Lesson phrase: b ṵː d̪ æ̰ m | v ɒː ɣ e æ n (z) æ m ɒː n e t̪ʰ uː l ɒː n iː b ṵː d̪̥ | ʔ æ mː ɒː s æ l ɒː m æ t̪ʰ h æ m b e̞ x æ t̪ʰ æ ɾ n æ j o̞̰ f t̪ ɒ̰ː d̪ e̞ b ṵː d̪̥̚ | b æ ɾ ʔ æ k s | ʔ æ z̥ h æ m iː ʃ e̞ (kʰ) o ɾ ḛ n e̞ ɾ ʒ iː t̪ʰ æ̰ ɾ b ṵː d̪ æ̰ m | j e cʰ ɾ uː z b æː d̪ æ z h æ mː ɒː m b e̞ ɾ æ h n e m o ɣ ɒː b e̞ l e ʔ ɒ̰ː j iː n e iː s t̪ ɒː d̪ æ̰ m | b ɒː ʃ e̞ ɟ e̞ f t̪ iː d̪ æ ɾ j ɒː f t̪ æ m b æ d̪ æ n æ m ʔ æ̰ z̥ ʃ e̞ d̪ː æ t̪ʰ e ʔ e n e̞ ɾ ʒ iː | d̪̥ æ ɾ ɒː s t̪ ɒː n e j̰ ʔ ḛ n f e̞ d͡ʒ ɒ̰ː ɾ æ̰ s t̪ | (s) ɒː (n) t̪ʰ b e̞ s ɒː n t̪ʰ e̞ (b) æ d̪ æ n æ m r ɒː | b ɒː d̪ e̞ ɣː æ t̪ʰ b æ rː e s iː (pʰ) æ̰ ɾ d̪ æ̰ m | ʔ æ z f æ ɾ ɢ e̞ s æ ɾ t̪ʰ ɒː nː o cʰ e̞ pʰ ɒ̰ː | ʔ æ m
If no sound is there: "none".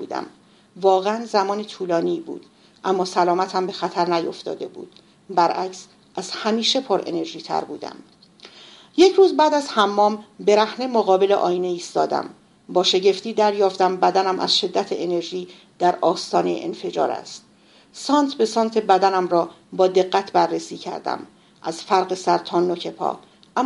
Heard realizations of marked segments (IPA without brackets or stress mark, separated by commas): z, pʰ, s, n, b, cʰ